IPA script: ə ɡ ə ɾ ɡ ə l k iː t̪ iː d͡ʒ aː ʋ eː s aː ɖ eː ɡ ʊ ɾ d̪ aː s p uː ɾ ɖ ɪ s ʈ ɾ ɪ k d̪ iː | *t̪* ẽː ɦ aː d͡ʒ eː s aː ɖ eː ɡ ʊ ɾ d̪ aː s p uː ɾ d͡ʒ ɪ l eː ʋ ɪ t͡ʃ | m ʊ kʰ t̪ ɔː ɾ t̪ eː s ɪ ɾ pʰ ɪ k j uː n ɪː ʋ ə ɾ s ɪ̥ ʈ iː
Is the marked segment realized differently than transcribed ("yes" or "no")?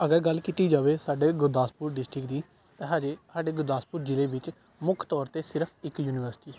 no